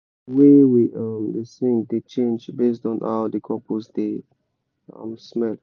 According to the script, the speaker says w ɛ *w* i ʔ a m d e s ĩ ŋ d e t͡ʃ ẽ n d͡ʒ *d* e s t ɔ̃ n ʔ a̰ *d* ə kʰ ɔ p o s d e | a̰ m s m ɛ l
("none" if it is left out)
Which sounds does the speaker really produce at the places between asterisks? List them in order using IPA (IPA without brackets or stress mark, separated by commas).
w, b, d